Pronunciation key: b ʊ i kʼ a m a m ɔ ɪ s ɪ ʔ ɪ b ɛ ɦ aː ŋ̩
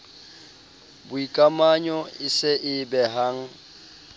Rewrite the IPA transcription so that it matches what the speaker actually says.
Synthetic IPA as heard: b ʊ i kʼ a m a ɲ ɔ ɪ s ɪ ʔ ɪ b ɛ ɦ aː ŋ̩